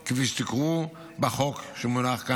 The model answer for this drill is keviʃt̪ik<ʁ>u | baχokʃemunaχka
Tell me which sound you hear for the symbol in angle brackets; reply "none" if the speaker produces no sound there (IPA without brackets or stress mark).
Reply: ʁ